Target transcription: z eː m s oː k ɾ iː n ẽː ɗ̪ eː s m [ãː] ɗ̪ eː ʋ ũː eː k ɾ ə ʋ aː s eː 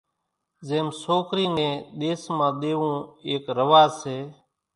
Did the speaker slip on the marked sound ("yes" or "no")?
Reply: no